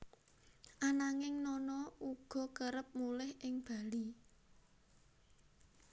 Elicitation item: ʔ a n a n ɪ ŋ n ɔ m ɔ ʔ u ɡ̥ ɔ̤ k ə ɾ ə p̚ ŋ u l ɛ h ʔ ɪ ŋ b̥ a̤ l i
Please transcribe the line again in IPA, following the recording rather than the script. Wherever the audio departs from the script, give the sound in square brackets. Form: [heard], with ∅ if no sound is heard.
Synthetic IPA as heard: ʔ a n a [ŋ] ɪ ŋ n ɔ [n] ɔ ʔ u ɡ̥ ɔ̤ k ə ɾ ə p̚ [m] u l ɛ h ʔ ɪ ŋ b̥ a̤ l i